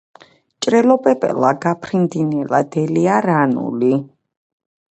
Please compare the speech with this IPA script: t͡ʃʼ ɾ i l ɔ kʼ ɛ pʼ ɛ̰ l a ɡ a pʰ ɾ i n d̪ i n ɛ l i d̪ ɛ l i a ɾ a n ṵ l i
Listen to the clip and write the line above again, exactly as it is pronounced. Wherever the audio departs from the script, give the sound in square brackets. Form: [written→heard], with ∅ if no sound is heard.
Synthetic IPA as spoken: t͡ʃʼ ɾ [i→ɛ] l ɔ [kʼ→pʼ] ɛ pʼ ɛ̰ l a ɡ a pʰ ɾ i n d̪ i n ɛ l [i→a] d̪ ɛ l i a ɾ a n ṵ l i

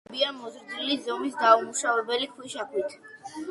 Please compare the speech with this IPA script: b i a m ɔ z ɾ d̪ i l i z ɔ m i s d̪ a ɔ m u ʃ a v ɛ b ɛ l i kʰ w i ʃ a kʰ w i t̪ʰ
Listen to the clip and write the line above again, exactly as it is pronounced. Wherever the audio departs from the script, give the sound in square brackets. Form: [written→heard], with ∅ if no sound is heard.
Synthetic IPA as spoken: b i a m ɔ z ɾ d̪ i l i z ɔ m i s d̪ a [ɔ→u] m u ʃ a v ɛ b ɛ l i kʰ w i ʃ a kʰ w i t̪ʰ

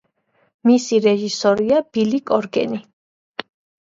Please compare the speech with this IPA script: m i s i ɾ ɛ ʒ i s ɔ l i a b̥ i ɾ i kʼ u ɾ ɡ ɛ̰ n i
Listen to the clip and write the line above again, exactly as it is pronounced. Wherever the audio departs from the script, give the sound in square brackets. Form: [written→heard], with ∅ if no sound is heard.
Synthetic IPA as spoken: m i s i ɾ ɛ ʒ i s ɔ [l→ɾ] i a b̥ i [ɾ→l] i kʼ [u→ɔ] ɾ ɡ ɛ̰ n i

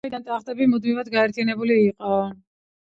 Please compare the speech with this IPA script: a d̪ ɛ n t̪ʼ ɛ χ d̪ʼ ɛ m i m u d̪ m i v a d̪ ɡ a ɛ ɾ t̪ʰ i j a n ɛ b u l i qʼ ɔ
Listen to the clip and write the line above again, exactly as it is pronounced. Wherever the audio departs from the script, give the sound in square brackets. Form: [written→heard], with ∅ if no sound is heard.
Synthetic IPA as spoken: [a→i] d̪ [ɛ→a] n t̪ʼ [ɛ→a] χ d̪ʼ ɛ [m→b] i m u d̪ m i v a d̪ ɡ a ɛ ɾ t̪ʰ i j a n ɛ b u l [i→iː] qʼ ɔ

